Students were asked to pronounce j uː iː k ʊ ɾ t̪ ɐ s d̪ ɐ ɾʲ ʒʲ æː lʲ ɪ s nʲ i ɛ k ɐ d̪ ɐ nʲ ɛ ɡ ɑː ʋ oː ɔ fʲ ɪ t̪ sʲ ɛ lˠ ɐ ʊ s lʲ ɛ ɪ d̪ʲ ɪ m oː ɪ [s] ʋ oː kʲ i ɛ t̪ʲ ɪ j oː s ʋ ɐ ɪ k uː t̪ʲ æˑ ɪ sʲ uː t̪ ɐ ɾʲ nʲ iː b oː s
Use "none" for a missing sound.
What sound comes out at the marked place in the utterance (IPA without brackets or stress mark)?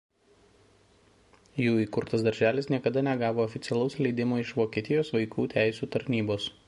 ʃ